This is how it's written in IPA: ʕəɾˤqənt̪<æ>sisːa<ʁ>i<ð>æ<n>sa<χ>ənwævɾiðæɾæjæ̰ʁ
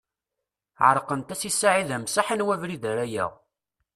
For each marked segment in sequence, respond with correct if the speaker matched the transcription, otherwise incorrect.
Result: correct, incorrect: ʕ, correct, incorrect: m, incorrect: ħ

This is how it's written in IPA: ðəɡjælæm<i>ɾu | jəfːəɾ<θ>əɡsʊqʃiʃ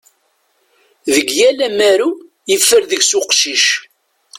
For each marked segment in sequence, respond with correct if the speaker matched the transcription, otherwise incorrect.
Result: incorrect: æ, incorrect: ð

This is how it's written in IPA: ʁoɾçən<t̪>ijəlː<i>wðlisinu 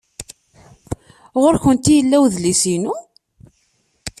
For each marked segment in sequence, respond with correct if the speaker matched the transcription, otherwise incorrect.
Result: correct, incorrect: æ

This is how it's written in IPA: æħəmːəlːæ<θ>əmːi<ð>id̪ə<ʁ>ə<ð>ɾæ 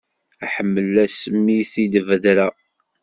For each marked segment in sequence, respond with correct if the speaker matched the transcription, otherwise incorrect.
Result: incorrect: s, incorrect: θ, incorrect: v, correct

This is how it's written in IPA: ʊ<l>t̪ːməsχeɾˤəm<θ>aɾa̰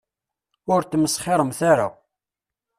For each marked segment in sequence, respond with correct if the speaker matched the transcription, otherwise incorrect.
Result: incorrect: ɾ, correct

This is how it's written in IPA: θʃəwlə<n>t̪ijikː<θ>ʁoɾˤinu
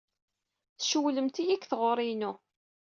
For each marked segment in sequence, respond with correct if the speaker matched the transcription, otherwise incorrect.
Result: incorrect: m, correct

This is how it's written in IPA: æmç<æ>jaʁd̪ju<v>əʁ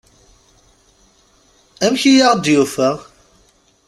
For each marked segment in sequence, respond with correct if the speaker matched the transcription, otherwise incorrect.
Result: incorrect: i, incorrect: f

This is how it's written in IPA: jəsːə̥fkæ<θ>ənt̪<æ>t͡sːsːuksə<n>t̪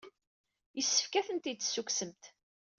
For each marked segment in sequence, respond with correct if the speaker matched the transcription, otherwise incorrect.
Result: correct, incorrect: i, incorrect: m

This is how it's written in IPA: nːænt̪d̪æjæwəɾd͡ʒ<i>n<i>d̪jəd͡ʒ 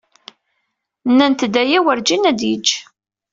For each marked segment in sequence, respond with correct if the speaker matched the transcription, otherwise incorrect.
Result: correct, incorrect: æ

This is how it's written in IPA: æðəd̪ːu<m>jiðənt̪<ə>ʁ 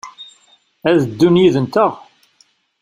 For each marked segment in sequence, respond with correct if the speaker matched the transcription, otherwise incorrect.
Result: incorrect: n, correct

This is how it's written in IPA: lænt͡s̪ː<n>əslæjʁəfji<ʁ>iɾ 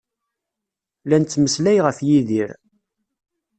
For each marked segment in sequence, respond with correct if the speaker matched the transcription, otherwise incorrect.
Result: incorrect: m, incorrect: ð

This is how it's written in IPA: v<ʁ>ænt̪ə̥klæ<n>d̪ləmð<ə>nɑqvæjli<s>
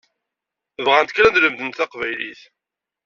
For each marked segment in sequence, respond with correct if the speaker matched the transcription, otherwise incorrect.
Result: correct, correct, correct, incorrect: θ

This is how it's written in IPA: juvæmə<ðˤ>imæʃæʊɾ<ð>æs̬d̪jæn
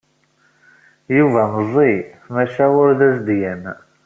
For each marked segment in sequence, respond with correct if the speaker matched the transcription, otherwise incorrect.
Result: incorrect: zˤ, correct

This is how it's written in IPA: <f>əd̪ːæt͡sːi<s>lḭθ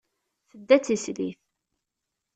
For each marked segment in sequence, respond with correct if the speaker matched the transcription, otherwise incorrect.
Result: incorrect: θ, correct

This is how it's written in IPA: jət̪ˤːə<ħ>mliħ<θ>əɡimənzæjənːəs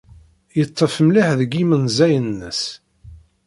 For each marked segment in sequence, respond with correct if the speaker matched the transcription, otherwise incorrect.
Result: incorrect: f, incorrect: ð

